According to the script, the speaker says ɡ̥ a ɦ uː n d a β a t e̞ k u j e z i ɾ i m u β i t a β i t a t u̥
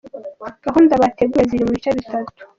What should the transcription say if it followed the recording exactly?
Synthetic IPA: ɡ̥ a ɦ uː n d a β a t e̞ ɡ u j e z i ɾ i m u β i t͡ʃ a β i t a t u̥